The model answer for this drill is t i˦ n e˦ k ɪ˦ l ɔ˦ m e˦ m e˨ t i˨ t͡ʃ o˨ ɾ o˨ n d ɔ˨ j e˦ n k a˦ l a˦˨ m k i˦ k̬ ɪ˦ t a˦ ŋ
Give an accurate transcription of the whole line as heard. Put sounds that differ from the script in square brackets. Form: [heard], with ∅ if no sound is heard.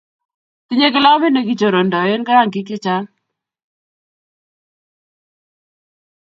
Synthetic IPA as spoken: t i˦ [ɲ] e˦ k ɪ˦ l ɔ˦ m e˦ [n] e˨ [k] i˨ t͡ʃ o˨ ɾ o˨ n d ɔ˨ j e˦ n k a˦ [ɾ] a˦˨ [ŋ] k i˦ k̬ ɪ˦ [t͡ʃ] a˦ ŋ